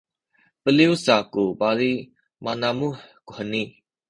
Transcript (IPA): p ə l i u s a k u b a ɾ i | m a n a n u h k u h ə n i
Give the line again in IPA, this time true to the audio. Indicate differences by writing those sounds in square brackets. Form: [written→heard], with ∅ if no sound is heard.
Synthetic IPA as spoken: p ə l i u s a k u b a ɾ i | m a n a [n→m] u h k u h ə n i